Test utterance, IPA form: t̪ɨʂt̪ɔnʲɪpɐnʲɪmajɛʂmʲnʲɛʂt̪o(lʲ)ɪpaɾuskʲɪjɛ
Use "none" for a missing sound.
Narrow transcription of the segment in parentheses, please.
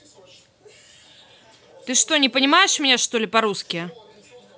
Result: lʲ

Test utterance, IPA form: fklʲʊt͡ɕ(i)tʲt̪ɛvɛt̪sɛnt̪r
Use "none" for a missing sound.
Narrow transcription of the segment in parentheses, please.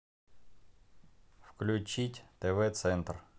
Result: i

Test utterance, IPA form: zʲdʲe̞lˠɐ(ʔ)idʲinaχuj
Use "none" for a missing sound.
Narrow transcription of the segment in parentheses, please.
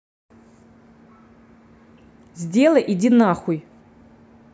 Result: ʔ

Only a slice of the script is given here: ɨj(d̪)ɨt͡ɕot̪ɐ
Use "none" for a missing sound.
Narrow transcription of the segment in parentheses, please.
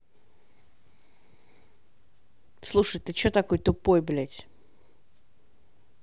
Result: t̪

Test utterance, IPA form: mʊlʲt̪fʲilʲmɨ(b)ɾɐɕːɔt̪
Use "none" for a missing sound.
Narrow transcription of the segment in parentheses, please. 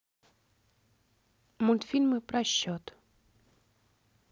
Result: p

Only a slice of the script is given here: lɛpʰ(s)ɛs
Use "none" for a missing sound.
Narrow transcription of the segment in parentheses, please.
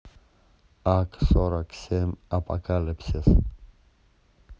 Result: s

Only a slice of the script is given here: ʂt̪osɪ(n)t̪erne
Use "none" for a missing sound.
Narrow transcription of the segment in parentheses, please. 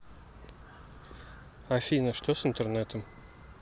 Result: n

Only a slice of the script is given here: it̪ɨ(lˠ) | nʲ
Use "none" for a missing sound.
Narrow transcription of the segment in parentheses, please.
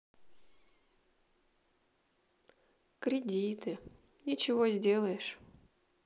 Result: none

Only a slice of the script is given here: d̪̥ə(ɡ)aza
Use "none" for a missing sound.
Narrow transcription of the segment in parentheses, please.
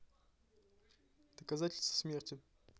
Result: k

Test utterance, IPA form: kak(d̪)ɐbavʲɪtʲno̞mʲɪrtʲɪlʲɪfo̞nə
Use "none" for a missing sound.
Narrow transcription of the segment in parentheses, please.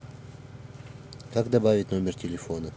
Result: d̪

